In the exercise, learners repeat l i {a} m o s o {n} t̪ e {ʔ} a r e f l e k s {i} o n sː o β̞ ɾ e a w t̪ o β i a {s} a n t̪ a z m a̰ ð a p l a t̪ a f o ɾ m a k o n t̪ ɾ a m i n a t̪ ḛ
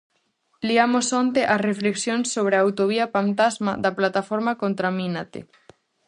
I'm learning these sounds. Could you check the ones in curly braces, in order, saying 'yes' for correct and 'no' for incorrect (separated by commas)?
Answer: yes, yes, yes, no, no